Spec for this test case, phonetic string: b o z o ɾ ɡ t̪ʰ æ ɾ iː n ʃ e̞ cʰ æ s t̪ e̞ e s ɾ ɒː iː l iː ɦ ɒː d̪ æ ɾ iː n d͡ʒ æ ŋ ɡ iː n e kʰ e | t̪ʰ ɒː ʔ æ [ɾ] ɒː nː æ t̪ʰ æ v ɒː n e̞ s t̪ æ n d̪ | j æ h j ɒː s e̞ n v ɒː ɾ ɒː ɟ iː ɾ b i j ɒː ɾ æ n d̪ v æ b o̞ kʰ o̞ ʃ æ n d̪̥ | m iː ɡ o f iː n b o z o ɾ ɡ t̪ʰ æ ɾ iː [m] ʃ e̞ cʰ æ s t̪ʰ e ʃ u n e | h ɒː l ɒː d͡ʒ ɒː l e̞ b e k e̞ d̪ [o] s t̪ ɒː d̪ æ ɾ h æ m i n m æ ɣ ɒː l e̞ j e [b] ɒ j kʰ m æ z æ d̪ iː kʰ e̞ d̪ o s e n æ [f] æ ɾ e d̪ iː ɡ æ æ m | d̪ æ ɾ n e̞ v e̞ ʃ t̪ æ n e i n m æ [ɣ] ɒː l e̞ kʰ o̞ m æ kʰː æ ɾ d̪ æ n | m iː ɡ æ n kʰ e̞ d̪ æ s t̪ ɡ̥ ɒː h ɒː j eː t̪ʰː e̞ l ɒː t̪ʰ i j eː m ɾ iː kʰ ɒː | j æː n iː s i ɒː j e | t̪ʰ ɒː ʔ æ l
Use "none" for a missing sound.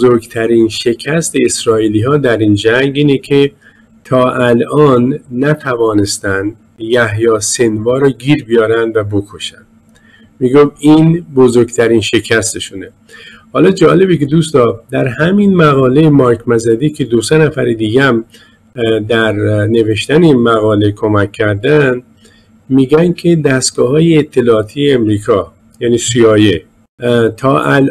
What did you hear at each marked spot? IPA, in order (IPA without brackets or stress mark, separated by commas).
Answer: l, n, u, m, f, ɣ